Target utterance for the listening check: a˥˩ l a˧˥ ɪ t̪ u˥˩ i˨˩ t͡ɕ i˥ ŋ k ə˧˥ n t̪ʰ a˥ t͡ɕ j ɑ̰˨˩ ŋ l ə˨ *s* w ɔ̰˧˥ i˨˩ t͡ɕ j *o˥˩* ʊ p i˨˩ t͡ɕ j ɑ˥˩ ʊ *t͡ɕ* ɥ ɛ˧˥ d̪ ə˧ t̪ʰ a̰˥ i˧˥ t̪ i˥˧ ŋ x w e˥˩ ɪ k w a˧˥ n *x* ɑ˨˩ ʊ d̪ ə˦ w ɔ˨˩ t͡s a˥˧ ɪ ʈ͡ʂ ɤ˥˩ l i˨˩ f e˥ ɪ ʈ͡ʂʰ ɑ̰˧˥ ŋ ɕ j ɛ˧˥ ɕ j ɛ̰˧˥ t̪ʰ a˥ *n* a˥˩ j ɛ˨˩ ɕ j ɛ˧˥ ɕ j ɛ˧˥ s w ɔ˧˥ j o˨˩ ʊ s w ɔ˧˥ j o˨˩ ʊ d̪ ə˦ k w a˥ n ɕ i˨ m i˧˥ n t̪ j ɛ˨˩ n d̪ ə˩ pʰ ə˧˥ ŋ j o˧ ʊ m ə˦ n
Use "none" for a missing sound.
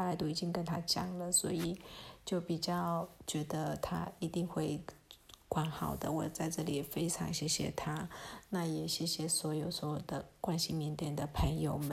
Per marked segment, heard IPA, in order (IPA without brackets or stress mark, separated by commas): s, o˥˩, t͡ɕ, x, n